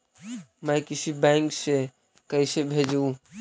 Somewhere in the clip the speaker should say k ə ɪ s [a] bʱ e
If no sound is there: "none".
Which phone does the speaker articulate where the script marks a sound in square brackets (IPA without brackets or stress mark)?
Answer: e